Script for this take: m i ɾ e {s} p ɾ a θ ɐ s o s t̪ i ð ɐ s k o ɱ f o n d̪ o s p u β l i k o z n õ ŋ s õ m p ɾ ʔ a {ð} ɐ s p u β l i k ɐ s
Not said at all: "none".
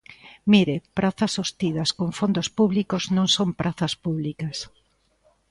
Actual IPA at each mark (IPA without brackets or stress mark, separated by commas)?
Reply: none, θ